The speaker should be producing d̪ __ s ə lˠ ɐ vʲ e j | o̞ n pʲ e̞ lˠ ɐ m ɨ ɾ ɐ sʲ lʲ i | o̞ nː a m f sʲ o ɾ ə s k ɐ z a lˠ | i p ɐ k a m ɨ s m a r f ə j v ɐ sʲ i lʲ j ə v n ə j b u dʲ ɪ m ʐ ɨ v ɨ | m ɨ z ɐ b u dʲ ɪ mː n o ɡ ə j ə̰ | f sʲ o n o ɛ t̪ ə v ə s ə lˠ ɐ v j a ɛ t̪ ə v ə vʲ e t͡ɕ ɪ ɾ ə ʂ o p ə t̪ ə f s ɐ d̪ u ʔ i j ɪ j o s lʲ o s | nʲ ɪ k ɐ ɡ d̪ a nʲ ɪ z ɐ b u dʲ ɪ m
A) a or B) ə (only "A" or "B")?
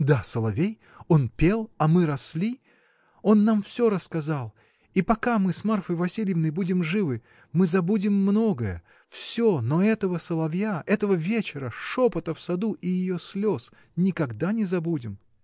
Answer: A